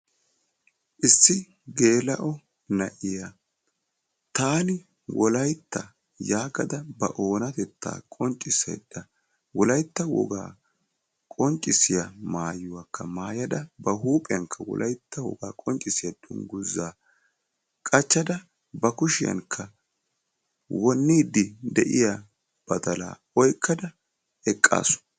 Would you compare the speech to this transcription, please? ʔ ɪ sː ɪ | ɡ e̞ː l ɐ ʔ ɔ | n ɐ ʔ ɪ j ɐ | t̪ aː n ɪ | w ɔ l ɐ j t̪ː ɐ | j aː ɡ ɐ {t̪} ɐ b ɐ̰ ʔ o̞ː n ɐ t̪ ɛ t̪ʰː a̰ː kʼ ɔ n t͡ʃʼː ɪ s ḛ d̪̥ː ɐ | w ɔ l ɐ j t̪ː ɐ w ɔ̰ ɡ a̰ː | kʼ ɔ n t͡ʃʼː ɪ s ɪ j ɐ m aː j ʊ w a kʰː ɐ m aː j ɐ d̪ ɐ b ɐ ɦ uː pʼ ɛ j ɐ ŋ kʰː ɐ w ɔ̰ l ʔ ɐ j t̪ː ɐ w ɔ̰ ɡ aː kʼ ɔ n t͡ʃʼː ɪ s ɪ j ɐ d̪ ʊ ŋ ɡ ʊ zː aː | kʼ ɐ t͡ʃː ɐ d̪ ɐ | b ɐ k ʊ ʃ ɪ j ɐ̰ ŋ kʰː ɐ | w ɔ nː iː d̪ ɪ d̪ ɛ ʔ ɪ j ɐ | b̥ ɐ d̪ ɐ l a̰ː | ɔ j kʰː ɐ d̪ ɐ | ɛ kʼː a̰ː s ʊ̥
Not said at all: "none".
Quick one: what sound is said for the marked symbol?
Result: d̪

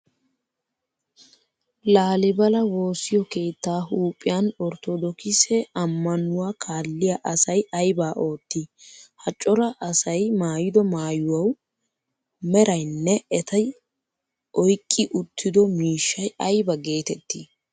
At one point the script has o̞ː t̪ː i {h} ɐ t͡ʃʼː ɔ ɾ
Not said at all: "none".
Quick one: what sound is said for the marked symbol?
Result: h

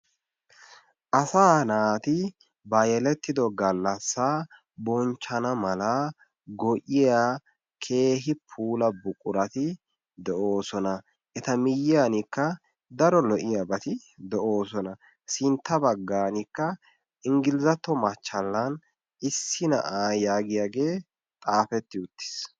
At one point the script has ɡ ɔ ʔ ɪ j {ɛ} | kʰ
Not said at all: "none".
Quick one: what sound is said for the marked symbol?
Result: a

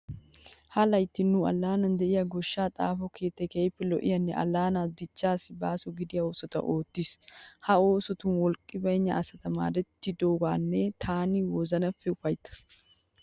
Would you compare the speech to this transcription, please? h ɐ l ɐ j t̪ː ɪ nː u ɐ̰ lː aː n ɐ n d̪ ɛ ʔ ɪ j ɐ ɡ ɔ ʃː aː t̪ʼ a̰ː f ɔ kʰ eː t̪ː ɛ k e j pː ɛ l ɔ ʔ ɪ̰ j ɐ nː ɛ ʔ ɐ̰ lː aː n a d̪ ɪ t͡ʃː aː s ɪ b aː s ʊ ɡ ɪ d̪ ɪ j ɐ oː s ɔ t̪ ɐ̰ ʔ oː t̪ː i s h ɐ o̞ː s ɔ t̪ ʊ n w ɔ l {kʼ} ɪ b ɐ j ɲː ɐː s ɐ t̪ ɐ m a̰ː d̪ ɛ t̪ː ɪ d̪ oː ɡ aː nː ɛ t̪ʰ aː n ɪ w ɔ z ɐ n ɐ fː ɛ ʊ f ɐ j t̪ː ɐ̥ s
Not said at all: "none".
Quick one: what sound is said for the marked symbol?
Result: kʼ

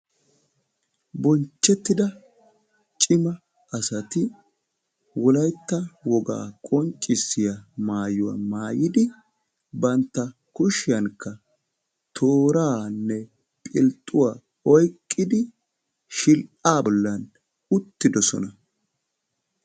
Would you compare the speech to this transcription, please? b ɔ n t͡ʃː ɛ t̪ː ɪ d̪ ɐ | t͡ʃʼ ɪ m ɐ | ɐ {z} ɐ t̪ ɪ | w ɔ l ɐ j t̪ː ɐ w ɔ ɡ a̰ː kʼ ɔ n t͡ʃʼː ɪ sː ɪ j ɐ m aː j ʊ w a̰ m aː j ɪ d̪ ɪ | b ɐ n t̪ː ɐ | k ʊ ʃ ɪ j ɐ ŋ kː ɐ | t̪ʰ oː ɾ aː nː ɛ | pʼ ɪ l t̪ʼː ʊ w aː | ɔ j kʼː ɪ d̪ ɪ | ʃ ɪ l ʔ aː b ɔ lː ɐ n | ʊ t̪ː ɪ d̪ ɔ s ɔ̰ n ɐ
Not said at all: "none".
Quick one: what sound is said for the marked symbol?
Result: s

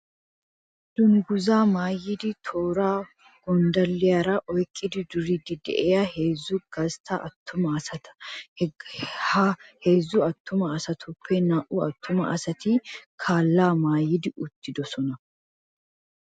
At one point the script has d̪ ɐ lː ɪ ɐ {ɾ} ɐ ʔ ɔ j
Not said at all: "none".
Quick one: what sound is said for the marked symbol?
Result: ɾ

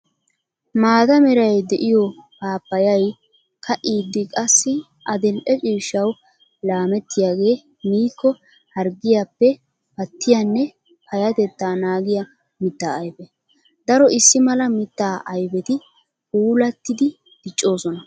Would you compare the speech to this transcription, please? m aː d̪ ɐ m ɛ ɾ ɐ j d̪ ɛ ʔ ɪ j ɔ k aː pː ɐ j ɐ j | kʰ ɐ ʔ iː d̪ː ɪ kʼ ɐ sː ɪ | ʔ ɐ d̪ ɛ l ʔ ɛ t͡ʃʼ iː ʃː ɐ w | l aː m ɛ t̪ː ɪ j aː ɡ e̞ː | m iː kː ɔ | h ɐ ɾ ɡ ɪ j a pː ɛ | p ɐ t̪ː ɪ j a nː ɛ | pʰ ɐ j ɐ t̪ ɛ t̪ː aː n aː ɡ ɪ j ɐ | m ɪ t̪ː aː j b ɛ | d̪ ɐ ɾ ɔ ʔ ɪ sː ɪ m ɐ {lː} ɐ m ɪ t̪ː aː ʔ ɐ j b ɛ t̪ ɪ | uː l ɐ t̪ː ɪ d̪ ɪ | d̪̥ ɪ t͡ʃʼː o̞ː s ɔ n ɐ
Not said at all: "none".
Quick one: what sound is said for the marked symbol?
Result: l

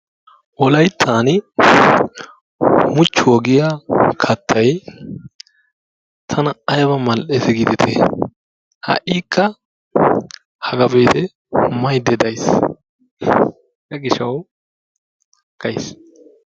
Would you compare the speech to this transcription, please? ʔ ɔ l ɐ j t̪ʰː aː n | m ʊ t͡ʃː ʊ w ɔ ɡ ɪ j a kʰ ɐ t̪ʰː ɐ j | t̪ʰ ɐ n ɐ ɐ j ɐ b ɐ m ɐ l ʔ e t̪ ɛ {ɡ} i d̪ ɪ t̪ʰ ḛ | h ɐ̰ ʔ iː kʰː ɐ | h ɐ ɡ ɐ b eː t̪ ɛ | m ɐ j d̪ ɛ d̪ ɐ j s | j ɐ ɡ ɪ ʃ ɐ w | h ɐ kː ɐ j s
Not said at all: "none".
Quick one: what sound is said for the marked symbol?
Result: ɡ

